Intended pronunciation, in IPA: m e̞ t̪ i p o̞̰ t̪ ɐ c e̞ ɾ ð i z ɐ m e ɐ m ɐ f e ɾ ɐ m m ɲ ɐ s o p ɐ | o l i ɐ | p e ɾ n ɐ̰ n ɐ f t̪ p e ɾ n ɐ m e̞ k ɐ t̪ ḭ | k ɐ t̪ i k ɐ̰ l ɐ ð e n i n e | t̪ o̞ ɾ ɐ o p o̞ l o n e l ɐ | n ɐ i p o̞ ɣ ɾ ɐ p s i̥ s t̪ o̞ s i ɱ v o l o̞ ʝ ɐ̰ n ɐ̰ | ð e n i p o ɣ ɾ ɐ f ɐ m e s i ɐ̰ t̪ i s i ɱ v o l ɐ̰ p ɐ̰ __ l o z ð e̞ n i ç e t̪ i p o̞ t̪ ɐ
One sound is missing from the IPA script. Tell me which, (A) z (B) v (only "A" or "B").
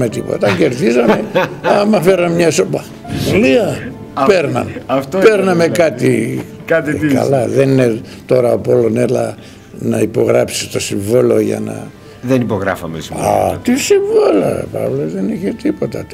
B